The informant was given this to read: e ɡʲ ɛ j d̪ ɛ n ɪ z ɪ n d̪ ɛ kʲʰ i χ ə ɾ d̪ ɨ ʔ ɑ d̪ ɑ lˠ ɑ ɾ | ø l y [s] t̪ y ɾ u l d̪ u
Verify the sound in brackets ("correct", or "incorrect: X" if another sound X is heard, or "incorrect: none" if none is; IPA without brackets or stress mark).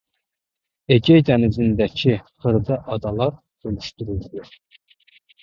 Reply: incorrect: ʃ